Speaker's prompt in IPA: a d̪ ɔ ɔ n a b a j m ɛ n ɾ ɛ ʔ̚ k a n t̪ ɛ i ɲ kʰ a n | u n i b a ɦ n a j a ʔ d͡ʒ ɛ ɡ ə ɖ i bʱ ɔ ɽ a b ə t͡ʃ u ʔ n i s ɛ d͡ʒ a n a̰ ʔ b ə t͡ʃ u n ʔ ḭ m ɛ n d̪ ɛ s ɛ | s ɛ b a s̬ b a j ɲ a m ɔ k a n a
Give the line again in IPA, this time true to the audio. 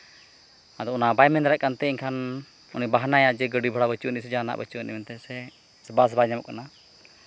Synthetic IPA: a d̪ ɔ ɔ n a b a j m ɛ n ɾ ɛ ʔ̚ k a n t̪ ɛ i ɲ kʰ a n | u n i b a ɦ n a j a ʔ d͡ʒ ɛ ɡ ə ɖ i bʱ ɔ ɽ a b ə t͡ʃ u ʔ n i s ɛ d͡ʒ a n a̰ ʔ b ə t͡ʃ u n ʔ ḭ m ɛ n t̪ ɛ s ɛ | s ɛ b a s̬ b a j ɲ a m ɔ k a n a